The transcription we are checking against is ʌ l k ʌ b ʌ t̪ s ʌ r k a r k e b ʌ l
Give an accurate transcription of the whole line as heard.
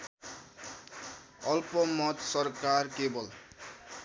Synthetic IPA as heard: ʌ l p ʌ m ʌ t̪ s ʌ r k a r k e b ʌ l